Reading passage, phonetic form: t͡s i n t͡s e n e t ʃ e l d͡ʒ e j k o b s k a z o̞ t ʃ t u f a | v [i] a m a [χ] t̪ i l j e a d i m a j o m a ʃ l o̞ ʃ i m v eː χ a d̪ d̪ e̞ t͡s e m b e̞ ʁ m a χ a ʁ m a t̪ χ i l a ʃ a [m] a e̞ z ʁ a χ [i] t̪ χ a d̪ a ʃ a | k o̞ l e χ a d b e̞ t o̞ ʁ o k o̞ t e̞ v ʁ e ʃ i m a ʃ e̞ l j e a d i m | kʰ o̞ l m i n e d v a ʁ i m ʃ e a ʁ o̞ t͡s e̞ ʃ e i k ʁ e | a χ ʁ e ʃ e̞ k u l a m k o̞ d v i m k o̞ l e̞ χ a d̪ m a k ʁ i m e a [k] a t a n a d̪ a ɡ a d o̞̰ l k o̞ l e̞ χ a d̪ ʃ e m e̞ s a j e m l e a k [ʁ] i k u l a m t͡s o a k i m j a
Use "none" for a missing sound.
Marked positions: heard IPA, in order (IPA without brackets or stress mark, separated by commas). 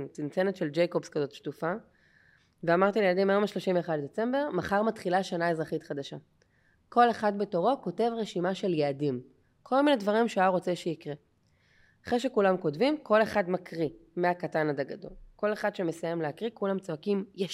e, ʁ, n, i, k, ʁ